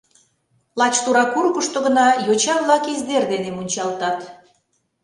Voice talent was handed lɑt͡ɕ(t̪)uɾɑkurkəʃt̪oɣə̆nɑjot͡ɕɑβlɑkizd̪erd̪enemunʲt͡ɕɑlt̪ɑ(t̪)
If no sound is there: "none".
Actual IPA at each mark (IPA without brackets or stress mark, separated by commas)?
t̪, t̪